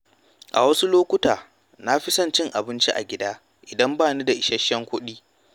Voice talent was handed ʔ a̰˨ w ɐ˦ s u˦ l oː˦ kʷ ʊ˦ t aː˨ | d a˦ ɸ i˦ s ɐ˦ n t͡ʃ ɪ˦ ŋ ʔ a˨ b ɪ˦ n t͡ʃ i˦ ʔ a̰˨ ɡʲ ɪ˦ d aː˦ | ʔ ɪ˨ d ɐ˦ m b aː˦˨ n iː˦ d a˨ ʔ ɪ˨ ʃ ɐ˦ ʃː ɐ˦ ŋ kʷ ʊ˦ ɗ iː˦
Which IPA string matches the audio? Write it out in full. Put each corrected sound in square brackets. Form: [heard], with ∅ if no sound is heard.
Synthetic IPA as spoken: ʔ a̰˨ w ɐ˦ s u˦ l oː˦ kʷ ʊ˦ t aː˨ | [n] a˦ ɸ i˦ s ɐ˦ n t͡ʃ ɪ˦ ŋ ʔ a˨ b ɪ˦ n t͡ʃ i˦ ʔ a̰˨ ɡʲ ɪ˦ d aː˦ | ʔ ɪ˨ d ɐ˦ m b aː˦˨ n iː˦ d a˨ ʔ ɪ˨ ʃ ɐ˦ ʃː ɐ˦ ŋ kʷ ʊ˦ ɗ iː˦

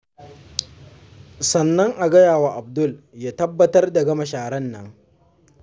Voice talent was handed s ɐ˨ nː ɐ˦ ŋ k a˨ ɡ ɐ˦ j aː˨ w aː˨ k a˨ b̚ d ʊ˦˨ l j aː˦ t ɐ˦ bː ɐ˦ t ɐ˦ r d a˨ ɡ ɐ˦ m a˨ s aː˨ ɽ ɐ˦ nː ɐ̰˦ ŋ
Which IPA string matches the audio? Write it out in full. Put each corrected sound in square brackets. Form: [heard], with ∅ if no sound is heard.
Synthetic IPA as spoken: s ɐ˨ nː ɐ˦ ŋ [ʔ] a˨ ɡ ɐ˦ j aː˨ w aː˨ [ʔ] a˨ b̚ d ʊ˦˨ l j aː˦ t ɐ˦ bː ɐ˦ t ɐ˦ r d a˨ ɡ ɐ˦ m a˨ [ʃ] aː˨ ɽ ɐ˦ nː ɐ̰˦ ŋ

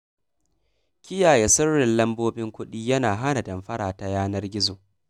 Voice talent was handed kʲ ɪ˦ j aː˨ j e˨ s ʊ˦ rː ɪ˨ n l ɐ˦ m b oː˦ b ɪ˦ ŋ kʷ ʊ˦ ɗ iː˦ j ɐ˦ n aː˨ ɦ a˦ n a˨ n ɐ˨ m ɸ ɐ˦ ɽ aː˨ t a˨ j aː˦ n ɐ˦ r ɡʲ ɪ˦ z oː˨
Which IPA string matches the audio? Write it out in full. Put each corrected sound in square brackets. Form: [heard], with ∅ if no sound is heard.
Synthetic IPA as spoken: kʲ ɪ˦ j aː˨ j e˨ s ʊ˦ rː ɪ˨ n l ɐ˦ m b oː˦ b ɪ˦ ŋ kʷ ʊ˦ ɗ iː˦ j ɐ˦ n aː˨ ɦ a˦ n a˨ [d] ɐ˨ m ɸ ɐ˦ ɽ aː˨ t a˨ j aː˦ n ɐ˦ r ɡʲ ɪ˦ z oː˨

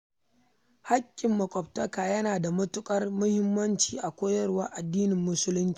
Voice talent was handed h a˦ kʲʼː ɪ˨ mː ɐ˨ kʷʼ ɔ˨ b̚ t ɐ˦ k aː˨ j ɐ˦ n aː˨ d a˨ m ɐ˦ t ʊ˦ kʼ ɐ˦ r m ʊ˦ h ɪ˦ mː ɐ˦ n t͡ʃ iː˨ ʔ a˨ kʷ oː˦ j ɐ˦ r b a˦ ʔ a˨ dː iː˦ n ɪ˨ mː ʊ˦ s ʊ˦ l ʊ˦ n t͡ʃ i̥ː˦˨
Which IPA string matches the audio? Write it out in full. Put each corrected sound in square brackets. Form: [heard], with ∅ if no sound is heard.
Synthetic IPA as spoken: h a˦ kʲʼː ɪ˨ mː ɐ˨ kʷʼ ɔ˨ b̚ t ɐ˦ k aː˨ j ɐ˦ n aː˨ d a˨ m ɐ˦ t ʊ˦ kʼ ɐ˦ r m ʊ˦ h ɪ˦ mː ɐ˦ n t͡ʃ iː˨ ʔ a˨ kʷ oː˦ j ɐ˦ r [w] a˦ ʔ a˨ dː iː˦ n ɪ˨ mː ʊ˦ s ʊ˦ l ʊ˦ n t͡ʃ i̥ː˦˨

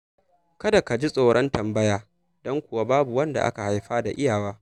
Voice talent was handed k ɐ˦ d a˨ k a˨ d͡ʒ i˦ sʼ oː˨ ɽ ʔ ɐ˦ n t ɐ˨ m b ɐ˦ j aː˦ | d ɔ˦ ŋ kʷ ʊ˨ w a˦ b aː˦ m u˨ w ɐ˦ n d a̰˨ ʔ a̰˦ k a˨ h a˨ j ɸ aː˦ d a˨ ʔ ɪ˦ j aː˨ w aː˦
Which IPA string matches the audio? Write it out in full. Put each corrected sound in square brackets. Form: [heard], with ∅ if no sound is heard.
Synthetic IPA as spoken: k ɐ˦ d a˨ k a˨ d͡ʒ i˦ sʼ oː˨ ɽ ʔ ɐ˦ n t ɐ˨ m b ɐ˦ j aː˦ | d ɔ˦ ŋ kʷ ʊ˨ w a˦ b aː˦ [b] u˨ w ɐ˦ n d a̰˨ ʔ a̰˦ k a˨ h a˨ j ɸ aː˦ d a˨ ʔ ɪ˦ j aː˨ w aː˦

